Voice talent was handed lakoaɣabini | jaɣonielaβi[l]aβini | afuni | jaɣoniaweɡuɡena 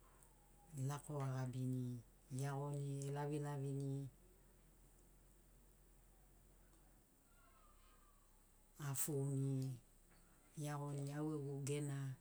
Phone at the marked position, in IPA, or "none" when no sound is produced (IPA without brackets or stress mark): l